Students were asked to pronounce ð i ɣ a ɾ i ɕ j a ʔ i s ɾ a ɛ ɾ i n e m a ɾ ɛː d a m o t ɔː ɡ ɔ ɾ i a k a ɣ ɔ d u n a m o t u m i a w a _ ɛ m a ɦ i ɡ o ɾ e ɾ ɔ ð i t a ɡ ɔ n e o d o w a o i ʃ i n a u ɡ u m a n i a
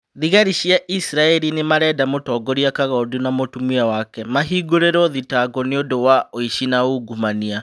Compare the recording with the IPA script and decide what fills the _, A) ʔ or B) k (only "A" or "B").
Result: B